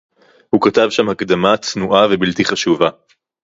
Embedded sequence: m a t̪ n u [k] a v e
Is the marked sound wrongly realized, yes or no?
yes